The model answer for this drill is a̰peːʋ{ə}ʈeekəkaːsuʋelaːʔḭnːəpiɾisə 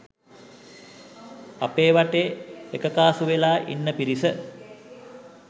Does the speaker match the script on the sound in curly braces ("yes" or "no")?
no